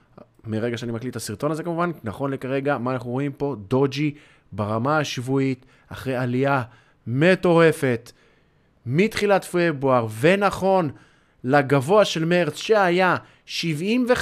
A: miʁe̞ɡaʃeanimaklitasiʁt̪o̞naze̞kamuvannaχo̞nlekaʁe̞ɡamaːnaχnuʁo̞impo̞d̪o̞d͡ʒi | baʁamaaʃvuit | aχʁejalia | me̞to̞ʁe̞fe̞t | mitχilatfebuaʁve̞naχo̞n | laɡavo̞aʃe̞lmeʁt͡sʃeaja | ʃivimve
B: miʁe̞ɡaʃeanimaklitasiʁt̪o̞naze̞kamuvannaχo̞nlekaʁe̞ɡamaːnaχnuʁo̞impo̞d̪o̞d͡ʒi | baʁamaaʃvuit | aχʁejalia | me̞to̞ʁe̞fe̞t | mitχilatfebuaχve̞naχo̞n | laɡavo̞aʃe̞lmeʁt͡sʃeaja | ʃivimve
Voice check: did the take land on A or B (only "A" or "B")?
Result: A